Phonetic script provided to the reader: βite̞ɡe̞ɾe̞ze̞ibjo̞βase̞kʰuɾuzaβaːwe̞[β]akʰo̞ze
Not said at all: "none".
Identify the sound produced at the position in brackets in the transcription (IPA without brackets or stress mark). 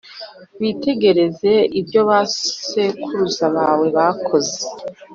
β